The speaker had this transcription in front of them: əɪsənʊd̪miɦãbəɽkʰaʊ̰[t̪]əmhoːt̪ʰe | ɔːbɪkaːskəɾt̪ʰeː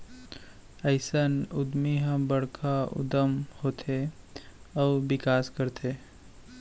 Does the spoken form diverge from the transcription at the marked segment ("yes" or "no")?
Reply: yes